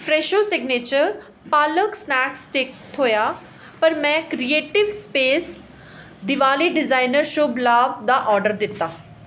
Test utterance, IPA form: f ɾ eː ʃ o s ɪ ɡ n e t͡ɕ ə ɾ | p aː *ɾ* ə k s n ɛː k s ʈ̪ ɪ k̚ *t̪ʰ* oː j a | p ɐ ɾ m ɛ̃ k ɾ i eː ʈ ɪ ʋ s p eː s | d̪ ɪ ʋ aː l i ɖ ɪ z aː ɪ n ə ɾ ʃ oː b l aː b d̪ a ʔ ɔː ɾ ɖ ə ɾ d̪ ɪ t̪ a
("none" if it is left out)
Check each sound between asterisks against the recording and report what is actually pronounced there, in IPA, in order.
l, t̪ʰ

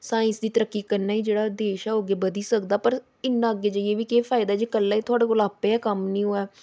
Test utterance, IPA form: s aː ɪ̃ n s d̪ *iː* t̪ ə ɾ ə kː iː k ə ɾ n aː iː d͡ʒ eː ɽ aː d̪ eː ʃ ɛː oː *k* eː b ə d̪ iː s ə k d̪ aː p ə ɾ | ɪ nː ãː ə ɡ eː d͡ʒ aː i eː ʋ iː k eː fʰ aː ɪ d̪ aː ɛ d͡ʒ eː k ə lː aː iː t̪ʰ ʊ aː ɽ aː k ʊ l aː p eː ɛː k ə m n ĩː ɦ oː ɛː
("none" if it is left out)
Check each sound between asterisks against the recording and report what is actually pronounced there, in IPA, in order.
iː, ɡ

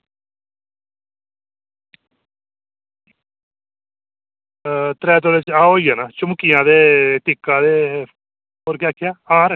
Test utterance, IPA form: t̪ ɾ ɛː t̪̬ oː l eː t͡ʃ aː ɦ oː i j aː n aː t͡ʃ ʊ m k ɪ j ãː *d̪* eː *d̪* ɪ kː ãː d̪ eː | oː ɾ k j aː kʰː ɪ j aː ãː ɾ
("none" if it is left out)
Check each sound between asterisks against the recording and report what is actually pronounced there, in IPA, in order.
d̪, t̪

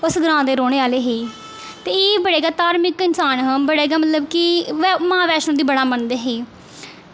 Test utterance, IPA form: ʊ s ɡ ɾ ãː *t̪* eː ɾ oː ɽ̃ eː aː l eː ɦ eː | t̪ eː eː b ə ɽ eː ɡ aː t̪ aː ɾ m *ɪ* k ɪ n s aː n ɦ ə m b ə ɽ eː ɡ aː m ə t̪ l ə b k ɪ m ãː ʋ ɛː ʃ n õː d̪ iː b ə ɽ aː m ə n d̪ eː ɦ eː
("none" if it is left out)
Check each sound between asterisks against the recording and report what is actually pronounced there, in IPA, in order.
d̪, ɪ

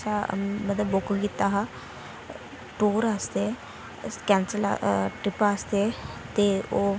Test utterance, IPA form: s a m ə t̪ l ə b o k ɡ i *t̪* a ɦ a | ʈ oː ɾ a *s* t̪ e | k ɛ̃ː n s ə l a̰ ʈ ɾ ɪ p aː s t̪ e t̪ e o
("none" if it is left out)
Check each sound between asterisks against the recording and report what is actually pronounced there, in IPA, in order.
t̪, s

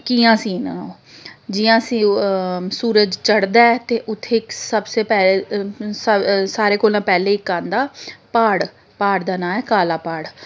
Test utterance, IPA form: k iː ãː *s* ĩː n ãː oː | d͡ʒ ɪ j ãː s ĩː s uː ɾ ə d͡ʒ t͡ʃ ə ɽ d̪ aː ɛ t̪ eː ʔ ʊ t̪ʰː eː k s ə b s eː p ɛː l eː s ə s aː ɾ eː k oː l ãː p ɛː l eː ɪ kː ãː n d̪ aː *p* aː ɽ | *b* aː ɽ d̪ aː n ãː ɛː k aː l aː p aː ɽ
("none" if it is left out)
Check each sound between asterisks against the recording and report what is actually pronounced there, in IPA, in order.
s, p, p

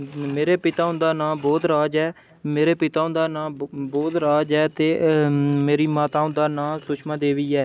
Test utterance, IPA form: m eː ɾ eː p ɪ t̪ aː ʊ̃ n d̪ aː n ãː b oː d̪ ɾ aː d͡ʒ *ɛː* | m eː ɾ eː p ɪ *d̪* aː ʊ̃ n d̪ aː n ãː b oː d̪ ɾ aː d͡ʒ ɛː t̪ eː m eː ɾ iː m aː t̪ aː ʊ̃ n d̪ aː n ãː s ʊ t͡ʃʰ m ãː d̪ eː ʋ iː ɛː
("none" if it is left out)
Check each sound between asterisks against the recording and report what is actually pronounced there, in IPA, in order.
ɛː, t̪

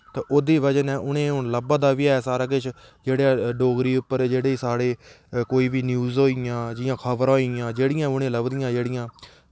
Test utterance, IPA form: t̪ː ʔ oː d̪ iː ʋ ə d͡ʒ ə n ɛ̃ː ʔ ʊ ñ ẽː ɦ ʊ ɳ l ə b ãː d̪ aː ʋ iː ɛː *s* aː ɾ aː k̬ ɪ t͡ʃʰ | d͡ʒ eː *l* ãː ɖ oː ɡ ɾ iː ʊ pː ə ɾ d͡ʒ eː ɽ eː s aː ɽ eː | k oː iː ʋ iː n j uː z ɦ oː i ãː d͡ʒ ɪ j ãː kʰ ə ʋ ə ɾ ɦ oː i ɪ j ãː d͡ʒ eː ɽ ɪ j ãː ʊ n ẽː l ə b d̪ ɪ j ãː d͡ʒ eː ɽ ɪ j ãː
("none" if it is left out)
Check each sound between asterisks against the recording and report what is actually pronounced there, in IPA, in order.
s, ɽ

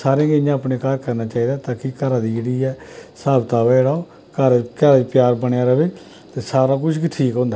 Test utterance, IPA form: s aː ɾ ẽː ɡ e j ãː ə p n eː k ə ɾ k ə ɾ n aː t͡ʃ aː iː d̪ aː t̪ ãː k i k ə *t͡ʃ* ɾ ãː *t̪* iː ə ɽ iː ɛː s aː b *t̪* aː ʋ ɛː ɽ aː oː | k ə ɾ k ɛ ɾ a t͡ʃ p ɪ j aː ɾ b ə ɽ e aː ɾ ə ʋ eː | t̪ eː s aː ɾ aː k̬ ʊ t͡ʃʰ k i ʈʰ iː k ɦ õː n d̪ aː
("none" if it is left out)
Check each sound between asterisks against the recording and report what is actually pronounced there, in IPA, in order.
none, d̪, t̪

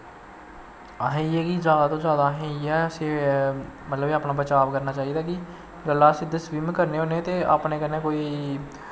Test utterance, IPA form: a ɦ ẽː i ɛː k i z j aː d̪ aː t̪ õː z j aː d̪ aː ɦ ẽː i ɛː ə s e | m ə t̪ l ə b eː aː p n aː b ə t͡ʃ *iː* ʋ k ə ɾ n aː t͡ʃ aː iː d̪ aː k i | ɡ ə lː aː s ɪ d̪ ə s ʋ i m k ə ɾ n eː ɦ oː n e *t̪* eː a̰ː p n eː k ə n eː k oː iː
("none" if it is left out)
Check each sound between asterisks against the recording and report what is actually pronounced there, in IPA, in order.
aː, t̪

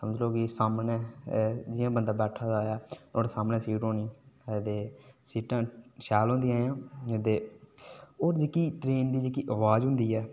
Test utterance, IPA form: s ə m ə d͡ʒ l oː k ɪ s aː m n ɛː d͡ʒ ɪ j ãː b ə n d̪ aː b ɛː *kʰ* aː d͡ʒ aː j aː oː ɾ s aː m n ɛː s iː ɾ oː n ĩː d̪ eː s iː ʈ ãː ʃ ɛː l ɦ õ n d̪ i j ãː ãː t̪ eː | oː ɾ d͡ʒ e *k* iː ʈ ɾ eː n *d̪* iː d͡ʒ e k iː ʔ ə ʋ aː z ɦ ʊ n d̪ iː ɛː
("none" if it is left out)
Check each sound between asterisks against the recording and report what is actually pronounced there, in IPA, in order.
ʈʰ, k, d̪

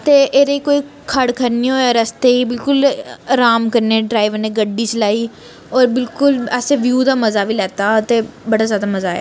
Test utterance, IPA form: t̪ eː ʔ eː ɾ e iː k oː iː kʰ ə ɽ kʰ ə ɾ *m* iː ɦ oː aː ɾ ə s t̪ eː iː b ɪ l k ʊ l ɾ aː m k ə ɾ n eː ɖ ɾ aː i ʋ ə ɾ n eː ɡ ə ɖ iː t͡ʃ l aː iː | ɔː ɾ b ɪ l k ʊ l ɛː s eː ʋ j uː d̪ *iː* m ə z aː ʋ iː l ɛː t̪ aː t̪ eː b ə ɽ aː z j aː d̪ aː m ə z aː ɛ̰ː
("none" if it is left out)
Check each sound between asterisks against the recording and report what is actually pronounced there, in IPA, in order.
n, aː

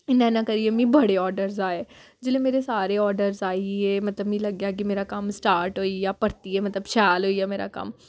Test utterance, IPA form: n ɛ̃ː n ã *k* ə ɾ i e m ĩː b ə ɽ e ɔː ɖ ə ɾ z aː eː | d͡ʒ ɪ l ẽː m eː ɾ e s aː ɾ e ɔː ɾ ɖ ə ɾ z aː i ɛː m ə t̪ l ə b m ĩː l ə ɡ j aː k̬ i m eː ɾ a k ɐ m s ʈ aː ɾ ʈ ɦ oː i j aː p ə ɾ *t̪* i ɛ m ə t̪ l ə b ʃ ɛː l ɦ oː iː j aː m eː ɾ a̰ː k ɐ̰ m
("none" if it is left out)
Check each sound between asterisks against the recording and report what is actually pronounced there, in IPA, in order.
k, t̪

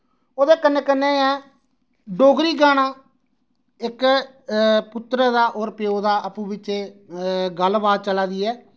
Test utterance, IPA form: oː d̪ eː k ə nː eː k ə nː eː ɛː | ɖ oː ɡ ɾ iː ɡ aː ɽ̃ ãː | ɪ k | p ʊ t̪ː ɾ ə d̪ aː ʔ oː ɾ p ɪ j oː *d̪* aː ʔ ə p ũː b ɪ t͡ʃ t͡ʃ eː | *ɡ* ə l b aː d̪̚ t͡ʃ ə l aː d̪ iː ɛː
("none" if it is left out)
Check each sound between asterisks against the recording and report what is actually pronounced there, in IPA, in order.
d̪, ɡ

